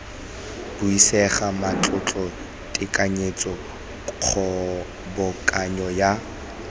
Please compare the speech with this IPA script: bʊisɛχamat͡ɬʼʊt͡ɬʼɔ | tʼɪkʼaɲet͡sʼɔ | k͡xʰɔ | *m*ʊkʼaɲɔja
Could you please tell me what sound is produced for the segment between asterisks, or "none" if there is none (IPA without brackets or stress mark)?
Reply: b